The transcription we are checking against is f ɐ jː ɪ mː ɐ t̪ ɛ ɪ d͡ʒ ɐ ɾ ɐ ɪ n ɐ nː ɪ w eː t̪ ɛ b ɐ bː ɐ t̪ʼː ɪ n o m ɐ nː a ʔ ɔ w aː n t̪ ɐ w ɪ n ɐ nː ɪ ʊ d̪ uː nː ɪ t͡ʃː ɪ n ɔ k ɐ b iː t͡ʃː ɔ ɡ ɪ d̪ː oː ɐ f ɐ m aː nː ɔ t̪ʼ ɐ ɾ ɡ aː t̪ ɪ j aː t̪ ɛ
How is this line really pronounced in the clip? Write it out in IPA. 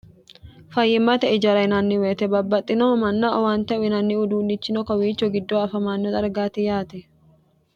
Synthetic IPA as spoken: f ɐ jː ɪ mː ɐ t̪ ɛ ɪ d͡ʒ ɐ ɾ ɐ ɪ n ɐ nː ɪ w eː t̪ ɛ b ɐ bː ɐ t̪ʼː ɪ n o m ɐ nː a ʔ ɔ w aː n t̪ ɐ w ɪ n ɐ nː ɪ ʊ d̪ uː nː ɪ t͡ʃː ɪ n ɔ k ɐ w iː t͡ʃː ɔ ɡ ɪ d̪ː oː ɐ f ɐ m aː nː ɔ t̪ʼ ɐ ɾ ɡ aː t̪ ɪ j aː t̪ ɛ